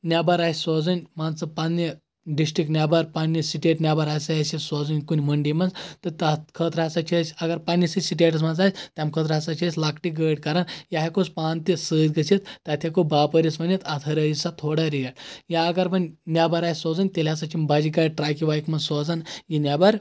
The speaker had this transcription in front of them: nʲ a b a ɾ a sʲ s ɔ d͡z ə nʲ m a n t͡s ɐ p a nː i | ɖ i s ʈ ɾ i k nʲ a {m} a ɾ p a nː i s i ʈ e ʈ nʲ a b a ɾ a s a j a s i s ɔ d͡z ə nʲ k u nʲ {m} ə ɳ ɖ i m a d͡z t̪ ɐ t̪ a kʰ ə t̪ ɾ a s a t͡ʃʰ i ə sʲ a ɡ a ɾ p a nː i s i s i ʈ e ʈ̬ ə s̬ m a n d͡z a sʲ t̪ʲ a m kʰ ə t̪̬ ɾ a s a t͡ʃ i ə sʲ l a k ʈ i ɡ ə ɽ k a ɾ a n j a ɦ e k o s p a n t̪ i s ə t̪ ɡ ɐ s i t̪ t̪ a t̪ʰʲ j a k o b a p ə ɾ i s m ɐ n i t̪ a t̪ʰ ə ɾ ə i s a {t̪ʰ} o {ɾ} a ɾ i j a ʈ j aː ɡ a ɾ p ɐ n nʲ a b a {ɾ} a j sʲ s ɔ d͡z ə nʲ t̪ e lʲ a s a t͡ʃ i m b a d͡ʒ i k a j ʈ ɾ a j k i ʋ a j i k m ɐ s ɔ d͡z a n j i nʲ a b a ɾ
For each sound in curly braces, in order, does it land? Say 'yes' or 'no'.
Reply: no, yes, yes, no, yes

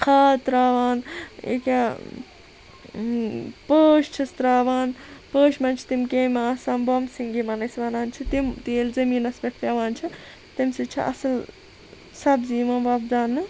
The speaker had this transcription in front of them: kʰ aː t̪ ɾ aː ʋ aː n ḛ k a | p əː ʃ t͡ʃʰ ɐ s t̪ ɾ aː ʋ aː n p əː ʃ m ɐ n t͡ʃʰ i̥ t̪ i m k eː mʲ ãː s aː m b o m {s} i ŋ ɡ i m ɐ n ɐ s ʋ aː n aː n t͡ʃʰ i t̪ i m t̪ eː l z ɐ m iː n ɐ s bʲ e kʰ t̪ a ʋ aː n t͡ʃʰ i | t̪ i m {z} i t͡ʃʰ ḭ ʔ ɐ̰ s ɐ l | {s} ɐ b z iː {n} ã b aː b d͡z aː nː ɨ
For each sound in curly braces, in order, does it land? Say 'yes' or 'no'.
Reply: yes, no, yes, no

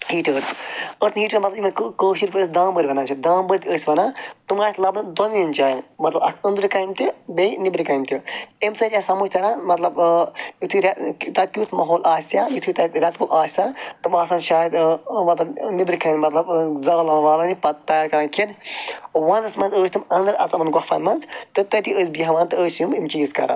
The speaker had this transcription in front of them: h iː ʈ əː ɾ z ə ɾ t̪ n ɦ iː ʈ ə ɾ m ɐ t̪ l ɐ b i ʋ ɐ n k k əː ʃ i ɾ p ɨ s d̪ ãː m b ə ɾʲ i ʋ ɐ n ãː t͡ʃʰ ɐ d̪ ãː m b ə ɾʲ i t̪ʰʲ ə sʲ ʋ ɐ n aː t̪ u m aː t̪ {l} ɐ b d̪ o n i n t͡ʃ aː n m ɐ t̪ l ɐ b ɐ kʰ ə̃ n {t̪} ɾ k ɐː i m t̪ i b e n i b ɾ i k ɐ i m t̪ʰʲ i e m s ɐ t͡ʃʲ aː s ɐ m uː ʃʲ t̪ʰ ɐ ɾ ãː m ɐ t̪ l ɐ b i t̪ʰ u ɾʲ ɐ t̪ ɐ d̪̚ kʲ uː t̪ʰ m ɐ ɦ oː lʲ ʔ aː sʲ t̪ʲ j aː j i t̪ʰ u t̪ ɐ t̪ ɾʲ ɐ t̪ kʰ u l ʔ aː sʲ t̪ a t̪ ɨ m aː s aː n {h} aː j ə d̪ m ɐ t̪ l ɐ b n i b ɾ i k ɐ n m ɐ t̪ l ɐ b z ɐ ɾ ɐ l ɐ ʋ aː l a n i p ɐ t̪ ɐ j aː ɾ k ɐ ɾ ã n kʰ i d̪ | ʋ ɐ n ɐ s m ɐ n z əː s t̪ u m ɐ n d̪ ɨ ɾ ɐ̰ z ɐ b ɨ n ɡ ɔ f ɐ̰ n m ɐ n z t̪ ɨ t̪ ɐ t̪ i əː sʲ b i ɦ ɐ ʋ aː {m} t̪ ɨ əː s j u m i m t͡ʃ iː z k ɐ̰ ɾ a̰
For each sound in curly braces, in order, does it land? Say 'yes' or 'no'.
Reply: yes, no, no, no

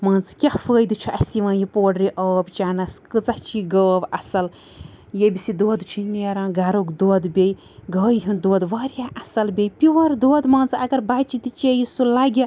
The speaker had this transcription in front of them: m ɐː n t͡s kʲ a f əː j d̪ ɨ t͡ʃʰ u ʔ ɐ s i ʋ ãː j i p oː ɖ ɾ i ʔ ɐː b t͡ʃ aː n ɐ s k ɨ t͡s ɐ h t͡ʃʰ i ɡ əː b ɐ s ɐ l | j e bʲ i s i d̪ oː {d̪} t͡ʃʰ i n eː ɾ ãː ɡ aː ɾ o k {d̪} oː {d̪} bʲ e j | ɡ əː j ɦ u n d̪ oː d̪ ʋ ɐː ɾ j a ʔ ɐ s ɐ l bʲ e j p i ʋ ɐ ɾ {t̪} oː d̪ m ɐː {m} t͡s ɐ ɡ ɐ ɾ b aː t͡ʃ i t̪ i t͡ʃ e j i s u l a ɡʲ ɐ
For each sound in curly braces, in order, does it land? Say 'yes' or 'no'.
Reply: yes, yes, yes, no, no

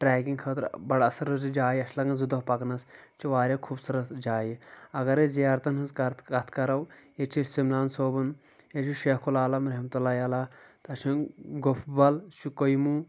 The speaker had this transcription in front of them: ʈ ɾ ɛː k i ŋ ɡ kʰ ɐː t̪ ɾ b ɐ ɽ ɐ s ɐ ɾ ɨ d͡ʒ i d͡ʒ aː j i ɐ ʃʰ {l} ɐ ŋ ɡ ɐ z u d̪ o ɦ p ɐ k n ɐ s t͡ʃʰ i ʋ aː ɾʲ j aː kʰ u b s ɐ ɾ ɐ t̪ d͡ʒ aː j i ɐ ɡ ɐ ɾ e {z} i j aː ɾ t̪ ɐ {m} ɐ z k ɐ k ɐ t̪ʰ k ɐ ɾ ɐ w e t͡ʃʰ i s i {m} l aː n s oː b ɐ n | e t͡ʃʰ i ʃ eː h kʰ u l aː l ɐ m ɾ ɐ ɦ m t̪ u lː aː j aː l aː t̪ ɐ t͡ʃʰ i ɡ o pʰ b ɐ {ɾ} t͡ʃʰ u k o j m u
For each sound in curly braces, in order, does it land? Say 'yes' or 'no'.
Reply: yes, yes, no, yes, no

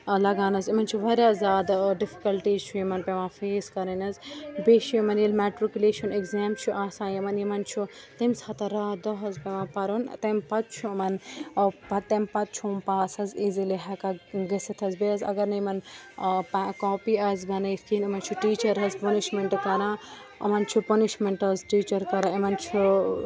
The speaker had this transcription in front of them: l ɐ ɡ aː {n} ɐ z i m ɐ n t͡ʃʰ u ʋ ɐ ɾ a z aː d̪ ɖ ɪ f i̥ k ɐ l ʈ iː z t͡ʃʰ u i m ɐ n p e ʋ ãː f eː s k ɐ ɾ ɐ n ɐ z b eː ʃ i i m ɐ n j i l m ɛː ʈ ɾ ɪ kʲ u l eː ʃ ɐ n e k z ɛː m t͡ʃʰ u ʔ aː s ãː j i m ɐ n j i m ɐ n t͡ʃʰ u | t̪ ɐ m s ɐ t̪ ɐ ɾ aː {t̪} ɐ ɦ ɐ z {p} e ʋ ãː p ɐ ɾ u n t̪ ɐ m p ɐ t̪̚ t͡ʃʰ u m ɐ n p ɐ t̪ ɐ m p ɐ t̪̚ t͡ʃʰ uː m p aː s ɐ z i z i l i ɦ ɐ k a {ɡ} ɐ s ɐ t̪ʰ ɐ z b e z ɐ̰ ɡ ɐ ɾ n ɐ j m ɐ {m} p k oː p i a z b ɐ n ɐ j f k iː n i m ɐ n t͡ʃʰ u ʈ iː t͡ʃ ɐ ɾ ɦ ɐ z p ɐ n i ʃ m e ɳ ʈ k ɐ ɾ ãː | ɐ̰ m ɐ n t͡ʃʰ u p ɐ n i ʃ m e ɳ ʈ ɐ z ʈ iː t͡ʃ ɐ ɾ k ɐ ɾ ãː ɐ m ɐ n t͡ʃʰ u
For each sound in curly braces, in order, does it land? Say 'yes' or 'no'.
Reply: yes, no, yes, yes, no

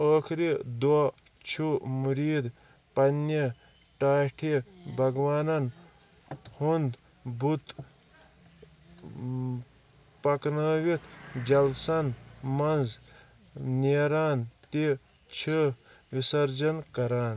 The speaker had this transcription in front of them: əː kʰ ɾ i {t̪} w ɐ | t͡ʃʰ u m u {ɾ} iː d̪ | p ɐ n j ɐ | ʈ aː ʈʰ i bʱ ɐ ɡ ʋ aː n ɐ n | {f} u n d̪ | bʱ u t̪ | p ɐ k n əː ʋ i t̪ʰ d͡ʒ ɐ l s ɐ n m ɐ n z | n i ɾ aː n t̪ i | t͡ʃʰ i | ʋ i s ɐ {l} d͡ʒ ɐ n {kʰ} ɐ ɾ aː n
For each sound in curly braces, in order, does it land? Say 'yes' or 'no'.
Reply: no, yes, no, no, no

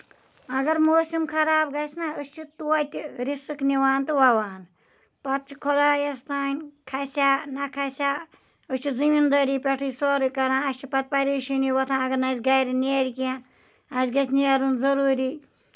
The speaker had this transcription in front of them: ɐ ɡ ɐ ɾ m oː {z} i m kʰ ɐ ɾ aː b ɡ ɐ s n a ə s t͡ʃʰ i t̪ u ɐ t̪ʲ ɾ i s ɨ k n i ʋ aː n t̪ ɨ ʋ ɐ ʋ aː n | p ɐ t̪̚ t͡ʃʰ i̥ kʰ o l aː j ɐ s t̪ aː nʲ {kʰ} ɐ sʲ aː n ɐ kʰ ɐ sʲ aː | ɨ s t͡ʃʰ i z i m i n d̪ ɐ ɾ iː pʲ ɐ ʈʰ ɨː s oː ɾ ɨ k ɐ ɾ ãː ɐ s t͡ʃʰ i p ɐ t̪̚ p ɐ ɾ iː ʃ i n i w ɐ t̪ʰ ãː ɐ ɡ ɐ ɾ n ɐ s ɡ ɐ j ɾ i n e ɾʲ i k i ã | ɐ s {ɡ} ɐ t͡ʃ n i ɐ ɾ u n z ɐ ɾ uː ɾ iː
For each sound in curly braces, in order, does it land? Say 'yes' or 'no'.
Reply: no, yes, yes

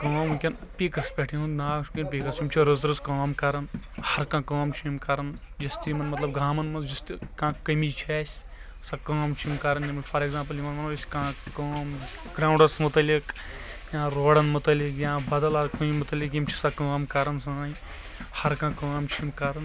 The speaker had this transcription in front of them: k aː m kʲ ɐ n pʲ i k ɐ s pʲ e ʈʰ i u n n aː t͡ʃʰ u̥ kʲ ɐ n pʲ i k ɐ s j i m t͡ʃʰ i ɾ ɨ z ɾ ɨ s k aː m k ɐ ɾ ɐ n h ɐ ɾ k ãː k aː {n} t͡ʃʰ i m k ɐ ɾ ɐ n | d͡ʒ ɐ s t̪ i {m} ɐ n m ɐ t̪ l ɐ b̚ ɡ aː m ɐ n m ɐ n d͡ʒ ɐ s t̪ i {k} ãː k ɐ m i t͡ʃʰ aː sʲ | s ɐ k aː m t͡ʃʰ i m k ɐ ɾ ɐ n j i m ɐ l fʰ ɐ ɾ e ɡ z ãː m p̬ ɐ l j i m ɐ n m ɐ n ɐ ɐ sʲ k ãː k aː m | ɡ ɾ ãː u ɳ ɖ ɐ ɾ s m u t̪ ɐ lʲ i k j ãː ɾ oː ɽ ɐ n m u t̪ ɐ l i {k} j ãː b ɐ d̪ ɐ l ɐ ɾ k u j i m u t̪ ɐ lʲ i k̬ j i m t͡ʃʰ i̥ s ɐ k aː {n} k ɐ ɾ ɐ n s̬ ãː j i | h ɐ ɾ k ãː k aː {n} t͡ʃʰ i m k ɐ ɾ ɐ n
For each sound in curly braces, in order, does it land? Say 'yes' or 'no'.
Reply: no, yes, yes, yes, no, no

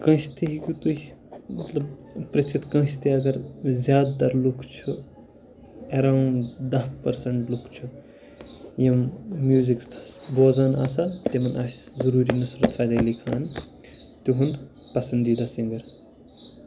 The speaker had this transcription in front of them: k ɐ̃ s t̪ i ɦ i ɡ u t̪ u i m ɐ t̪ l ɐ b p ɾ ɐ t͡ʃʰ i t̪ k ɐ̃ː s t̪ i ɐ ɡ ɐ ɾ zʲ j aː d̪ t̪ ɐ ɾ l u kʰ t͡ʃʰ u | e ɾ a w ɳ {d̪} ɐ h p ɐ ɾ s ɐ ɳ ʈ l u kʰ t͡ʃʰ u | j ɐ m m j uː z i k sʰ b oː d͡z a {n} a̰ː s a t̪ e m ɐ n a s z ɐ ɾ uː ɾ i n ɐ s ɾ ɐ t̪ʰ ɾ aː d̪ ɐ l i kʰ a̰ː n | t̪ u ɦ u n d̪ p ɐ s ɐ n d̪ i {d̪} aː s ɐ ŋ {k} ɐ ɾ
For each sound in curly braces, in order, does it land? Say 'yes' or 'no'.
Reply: yes, yes, yes, no

